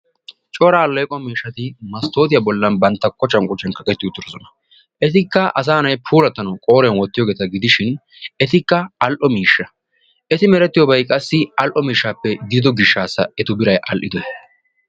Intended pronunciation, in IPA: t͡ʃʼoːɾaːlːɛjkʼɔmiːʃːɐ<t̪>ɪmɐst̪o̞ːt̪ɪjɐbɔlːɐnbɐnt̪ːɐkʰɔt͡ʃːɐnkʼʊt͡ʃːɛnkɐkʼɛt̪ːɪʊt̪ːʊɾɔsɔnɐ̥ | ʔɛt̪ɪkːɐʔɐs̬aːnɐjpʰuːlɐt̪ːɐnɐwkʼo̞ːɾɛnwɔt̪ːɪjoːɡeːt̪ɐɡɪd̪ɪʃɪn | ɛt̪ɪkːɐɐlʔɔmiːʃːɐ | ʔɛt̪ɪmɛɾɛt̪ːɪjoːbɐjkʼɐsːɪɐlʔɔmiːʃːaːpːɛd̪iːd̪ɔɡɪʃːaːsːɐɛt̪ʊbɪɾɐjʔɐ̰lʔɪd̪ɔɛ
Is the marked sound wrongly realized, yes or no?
no